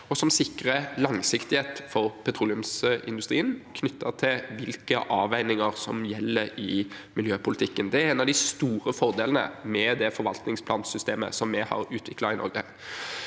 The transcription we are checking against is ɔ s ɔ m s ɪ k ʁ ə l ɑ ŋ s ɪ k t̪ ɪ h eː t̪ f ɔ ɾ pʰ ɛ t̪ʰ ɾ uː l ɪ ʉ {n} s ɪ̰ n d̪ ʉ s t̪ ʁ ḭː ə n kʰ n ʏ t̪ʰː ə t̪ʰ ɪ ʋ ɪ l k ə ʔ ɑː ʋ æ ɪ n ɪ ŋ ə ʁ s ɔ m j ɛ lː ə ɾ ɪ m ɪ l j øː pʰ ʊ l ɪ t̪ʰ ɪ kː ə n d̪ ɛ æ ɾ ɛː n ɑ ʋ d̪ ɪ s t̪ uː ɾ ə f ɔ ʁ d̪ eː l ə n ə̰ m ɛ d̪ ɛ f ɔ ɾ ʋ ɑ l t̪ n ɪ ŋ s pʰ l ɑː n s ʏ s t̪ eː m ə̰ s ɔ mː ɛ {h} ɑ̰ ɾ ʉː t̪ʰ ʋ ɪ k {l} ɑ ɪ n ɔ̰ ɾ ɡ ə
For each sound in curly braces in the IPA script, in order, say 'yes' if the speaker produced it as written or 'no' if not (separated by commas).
no, yes, yes